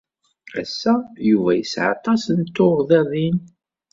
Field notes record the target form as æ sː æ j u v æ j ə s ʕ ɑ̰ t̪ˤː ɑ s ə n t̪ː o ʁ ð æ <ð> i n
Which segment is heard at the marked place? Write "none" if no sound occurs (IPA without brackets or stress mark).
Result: ð